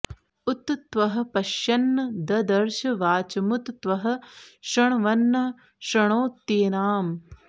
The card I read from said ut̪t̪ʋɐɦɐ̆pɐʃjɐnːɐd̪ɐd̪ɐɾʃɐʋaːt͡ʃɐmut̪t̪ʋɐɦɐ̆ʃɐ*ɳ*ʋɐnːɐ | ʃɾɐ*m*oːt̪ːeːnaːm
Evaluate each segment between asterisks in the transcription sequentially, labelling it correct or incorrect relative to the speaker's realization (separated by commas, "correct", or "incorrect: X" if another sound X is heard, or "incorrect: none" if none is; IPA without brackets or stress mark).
correct, incorrect: ɳ